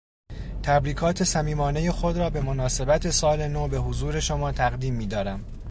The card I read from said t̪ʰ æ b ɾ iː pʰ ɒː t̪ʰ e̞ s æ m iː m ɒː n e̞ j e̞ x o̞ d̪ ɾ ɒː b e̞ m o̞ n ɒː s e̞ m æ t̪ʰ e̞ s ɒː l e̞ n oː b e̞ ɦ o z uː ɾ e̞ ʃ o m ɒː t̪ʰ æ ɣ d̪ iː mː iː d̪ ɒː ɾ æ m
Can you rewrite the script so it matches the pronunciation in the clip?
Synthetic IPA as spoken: t̪ʰ æ b ɾ iː kʰ ɒː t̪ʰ e̞ s æ m iː m ɒː n e̞ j e̞ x o̞ d̪ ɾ ɒː b e̞ m o̞ n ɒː s e̞ b æ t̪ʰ e̞ s ɒː l e̞ n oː b e̞ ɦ o z uː ɾ e̞ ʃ o m ɒː t̪ʰ æ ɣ d̪ iː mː iː d̪ ɒː ɾ æ m